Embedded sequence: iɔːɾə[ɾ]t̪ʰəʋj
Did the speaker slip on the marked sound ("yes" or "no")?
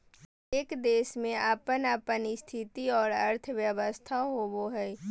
no